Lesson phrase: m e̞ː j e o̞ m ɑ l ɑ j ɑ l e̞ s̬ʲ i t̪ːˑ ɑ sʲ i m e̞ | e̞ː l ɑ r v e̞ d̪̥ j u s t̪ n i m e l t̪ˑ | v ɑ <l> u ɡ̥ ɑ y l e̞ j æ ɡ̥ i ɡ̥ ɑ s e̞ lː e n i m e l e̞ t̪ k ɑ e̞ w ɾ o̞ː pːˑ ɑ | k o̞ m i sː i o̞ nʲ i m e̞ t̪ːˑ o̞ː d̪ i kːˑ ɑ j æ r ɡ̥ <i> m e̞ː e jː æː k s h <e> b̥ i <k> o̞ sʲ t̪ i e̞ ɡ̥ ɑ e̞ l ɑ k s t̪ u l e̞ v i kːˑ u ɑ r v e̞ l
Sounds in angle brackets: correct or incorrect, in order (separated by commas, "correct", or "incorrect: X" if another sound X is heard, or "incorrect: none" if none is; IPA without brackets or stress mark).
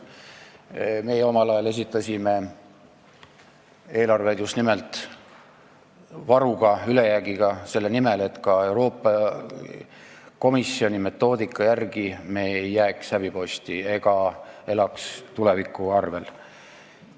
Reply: incorrect: ɾ, correct, incorrect: æ, incorrect: p